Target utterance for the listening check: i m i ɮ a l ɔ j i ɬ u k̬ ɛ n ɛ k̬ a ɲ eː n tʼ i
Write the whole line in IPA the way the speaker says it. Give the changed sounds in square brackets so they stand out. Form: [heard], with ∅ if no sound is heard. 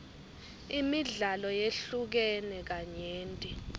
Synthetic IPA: i m i ɮ a l ɔ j [e] ɬ u k̬ ɛ n ɛ k̬ a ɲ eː n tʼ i